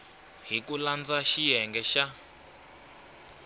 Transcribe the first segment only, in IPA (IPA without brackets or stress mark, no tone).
ɦ